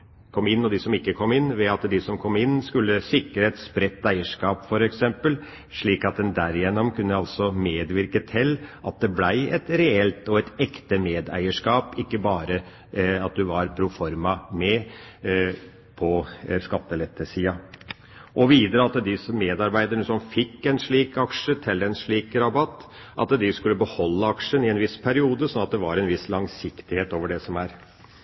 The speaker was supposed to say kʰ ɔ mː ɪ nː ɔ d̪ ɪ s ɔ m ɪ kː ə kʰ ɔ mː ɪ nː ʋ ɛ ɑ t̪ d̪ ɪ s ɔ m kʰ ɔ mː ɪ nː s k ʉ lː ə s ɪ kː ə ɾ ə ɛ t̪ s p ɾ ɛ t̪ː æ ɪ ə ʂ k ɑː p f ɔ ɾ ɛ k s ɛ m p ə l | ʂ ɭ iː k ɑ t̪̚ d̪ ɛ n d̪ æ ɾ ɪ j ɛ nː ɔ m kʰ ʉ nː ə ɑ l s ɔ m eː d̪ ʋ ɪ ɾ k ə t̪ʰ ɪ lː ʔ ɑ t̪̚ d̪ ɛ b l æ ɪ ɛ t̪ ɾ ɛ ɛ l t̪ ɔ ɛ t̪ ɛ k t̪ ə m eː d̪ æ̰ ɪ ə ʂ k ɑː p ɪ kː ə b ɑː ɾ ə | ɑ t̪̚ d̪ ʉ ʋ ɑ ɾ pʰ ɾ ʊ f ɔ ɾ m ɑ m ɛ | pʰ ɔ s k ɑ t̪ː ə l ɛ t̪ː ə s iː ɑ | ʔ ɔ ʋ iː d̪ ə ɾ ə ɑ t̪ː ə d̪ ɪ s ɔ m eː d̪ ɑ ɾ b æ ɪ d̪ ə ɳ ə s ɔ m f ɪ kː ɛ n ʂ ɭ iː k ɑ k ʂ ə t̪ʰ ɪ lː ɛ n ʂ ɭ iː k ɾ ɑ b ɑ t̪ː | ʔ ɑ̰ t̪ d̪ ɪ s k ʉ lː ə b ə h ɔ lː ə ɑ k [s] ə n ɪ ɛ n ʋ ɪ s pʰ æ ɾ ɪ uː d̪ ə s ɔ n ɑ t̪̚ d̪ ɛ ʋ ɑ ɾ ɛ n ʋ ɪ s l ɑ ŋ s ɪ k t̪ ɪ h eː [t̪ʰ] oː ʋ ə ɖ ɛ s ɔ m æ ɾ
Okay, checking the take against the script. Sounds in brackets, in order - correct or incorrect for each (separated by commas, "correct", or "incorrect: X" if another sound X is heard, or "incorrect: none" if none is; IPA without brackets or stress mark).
incorrect: ʂ, incorrect: t̪